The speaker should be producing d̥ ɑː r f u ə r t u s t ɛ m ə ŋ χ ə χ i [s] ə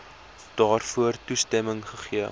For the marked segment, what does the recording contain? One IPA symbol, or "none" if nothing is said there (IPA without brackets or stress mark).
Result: none